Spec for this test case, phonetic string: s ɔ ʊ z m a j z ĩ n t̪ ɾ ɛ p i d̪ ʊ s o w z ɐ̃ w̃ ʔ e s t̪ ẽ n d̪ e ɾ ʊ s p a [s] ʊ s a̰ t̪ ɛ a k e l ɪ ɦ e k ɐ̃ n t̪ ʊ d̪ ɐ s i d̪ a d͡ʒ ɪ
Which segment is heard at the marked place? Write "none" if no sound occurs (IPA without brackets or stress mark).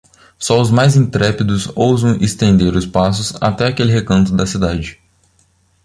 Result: s